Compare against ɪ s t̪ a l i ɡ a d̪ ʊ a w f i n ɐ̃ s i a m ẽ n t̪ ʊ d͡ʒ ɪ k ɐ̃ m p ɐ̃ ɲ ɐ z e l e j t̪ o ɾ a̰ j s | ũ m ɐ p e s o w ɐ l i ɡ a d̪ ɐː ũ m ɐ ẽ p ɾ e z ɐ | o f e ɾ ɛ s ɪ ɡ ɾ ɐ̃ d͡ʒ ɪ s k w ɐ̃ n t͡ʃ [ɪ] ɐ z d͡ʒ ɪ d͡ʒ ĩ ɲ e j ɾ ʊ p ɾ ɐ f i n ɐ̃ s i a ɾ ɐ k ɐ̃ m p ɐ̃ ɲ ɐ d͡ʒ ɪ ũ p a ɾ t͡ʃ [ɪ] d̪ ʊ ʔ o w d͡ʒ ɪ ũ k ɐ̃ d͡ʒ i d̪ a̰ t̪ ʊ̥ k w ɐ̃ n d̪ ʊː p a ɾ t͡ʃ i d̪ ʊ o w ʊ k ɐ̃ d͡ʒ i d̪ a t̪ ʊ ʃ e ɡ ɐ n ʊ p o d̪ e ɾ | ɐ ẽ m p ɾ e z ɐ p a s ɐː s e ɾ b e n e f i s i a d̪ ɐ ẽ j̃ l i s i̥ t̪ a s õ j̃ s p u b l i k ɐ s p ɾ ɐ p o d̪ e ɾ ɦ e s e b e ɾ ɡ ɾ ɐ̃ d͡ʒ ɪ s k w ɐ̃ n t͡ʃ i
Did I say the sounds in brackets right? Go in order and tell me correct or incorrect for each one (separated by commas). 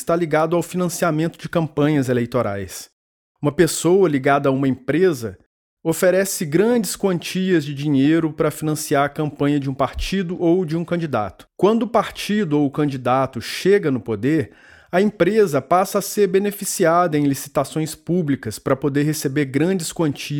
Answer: incorrect, incorrect